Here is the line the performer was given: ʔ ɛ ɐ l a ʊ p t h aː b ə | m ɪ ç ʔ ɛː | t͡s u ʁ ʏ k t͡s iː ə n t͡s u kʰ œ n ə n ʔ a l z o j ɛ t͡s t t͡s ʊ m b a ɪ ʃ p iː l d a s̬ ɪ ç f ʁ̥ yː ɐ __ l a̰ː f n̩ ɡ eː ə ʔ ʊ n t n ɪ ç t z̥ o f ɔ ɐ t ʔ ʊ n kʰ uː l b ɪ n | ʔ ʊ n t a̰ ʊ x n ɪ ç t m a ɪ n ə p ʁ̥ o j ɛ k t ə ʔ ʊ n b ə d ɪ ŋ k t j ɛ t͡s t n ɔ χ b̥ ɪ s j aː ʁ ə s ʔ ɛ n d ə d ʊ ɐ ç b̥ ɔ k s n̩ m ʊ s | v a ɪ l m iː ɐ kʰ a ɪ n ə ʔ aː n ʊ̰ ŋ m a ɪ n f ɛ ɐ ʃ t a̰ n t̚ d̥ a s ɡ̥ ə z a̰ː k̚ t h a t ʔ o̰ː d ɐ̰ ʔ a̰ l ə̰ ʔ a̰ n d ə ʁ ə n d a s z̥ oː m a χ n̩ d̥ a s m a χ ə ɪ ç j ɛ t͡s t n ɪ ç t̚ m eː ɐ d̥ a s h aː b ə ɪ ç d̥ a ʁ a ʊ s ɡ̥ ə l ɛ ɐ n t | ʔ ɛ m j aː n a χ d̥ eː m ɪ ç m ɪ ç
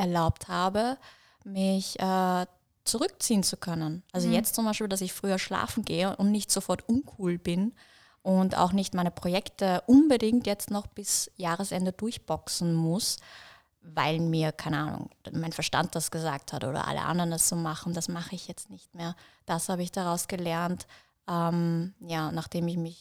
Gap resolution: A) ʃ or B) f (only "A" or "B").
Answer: A